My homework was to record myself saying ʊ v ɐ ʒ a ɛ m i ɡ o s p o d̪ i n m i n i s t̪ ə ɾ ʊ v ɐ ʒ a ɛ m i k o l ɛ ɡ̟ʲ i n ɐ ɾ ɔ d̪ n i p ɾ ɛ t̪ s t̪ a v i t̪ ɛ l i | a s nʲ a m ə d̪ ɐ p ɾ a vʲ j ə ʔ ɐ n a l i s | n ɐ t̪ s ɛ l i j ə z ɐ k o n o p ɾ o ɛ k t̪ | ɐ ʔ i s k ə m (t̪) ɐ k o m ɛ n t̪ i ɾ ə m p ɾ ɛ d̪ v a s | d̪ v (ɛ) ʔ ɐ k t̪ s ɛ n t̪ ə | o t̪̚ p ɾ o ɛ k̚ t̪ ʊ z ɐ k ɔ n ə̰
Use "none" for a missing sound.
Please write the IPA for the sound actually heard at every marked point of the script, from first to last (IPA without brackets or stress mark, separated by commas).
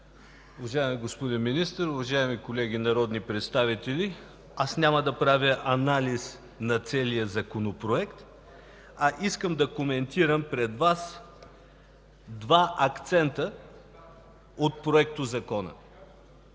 d̪, a